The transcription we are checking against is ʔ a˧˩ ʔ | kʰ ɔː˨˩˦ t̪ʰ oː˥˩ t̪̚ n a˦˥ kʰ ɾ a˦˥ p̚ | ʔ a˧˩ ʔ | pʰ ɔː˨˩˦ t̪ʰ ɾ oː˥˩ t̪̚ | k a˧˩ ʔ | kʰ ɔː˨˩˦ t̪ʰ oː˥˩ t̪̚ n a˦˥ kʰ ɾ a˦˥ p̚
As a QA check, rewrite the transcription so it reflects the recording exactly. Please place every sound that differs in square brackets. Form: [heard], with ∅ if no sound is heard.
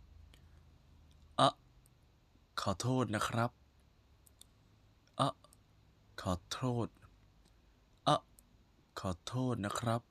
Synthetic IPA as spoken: ʔ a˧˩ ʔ | kʰ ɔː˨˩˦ t̪ʰ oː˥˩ t̪̚ n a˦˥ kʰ ɾ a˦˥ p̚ | ʔ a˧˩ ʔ | [kʰ] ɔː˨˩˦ t̪ʰ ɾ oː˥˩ t̪̚ | [ʔ] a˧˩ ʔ | kʰ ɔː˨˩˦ t̪ʰ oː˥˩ t̪̚ n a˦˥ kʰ ɾ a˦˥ p̚